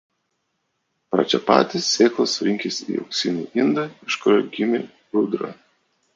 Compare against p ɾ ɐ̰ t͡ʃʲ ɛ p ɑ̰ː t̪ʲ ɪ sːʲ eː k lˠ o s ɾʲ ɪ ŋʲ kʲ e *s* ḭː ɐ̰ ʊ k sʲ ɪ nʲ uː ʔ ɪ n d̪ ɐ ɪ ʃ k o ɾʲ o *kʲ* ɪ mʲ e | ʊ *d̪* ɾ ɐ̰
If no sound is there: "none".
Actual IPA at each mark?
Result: s, ɡʲ, d̪

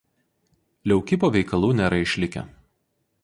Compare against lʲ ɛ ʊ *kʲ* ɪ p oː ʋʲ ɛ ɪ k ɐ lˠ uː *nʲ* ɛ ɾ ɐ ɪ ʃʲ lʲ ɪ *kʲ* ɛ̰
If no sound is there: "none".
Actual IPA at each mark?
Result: kʲ, nʲ, kʲ

